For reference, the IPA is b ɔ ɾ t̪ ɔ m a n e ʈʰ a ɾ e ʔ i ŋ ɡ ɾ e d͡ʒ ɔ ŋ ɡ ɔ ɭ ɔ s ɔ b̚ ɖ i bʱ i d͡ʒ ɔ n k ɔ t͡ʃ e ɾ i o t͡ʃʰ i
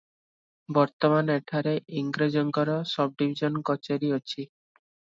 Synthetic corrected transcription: b ɔ ɾ t̪ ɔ m a n e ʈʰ a ɾ e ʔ i ŋ ɡ ɾ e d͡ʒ ɔ ŋ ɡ ɔ ɾ ɔ s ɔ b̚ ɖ i bʱ i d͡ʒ ɔ n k ɔ t͡ʃ e ɾ i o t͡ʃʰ i